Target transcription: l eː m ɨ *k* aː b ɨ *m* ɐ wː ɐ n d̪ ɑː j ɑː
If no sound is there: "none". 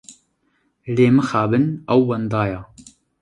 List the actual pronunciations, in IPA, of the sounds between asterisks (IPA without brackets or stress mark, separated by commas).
x, n